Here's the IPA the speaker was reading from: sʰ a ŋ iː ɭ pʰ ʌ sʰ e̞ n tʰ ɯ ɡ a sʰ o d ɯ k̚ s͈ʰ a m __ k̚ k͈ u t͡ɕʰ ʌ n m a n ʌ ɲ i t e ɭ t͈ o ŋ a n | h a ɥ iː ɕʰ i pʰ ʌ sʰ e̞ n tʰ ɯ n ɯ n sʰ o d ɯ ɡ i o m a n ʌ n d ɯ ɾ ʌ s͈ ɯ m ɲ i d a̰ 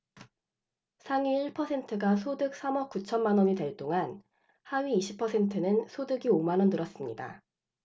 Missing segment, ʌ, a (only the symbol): ʌ